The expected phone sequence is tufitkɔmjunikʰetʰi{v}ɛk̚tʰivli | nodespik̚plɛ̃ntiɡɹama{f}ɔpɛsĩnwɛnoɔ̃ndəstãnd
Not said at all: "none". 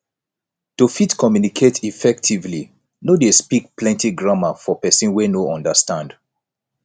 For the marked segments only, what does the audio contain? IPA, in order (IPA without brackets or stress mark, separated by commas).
f, f